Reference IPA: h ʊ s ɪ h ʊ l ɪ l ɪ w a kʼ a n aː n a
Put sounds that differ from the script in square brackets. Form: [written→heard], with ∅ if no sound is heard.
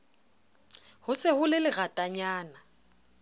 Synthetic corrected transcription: h ʊ s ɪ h ʊ l ɪ l ɪ [w→ɣ] a [kʼ→tʼ] a [n→ɲ] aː n a